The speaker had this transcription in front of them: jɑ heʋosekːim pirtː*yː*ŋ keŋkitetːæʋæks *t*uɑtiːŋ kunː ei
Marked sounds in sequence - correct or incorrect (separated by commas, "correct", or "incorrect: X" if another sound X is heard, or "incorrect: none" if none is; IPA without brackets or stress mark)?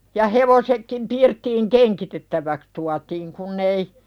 incorrect: iː, correct